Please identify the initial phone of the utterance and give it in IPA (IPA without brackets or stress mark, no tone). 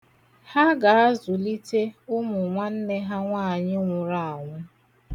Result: h